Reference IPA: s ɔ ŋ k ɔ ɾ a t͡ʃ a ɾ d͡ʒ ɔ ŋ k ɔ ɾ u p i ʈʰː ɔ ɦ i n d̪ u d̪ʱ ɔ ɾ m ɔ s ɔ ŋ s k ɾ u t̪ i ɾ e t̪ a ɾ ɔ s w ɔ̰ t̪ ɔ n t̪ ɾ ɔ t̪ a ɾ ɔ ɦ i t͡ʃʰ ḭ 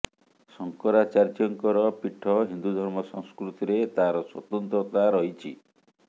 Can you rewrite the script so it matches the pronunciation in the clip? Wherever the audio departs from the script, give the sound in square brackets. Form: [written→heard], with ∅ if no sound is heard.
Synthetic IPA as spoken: s ɔ ŋ k ɔ ɾ a t͡ʃ a ɾ d͡ʒ ɔ ŋ k ɔ ɾ [u→ɔ] p i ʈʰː ɔ ɦ i n d̪ u d̪ʱ ɔ ɾ m ɔ s ɔ ŋ s k ɾ u t̪ i ɾ e t̪ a ɾ ɔ s w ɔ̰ t̪ ɔ n t̪ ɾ ɔ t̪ a ɾ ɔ ɦ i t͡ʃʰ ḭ